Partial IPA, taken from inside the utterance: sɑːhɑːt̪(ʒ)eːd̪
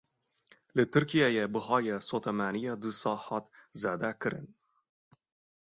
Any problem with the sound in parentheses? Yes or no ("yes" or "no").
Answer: yes